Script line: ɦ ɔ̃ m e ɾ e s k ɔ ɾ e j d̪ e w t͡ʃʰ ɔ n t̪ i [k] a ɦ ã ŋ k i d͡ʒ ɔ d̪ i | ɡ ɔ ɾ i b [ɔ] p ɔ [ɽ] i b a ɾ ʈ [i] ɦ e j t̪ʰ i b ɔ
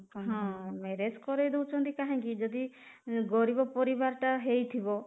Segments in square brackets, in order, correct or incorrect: correct, correct, incorrect, incorrect

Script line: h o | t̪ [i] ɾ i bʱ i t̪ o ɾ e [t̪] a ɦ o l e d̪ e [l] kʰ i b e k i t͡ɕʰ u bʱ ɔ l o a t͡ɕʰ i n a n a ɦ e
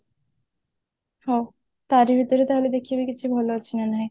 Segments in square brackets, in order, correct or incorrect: incorrect, correct, incorrect

